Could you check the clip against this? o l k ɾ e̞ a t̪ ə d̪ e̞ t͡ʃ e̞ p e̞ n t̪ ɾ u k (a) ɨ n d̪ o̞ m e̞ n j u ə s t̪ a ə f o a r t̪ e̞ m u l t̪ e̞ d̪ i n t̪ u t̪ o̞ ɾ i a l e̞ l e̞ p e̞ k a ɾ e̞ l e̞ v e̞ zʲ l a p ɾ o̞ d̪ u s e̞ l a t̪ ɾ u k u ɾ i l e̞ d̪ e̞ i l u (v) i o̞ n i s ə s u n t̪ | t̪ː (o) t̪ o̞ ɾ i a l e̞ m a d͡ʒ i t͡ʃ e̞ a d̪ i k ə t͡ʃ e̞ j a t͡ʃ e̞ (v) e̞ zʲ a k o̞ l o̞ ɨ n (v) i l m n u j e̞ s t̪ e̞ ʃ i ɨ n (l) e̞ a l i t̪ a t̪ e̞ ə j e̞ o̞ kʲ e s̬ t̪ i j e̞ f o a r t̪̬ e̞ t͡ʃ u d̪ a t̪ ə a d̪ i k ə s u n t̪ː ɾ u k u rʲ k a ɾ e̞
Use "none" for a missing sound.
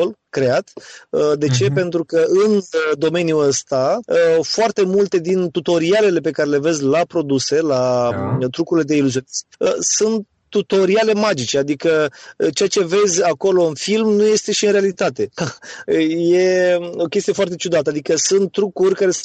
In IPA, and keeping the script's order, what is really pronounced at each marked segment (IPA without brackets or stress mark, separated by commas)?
ə, z, u, v, f, ɾ